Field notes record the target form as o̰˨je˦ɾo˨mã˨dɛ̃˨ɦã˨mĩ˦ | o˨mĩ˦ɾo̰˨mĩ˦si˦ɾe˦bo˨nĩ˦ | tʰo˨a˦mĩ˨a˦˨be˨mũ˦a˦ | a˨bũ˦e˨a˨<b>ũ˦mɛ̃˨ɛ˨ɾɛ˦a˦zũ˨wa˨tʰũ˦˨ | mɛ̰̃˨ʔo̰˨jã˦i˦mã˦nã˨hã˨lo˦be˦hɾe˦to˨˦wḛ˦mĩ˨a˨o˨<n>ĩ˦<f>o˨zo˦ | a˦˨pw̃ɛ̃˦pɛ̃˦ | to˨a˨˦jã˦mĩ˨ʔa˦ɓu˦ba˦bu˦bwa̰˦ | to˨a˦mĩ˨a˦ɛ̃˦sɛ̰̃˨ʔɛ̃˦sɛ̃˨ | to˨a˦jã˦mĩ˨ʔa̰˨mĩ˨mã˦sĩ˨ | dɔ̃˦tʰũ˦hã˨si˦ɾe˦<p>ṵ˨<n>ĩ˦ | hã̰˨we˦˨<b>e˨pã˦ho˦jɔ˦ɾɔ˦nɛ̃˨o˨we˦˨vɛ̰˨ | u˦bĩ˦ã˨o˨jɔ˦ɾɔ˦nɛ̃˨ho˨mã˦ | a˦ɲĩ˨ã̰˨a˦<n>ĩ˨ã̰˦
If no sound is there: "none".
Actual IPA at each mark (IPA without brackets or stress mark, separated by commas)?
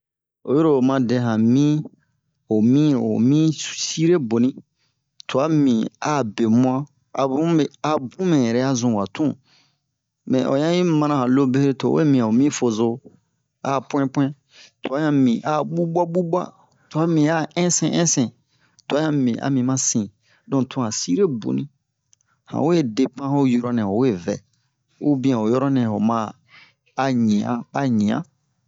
b, m, f, b, n, d, ɲ